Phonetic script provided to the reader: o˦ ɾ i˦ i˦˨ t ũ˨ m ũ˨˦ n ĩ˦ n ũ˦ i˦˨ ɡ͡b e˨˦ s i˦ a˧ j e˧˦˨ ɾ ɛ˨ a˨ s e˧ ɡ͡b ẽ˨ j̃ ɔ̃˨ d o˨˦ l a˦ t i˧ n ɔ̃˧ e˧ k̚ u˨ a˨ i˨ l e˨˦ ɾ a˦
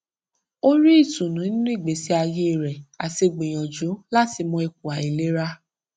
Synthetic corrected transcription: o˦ ɾ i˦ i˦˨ t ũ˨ n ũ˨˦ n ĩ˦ n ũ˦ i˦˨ ɡ͡b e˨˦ s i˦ a˧ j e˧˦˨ ɾ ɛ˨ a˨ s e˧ ɡ͡b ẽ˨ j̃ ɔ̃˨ d͡ʒ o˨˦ l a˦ t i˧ m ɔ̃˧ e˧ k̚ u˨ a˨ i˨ l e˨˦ ɾ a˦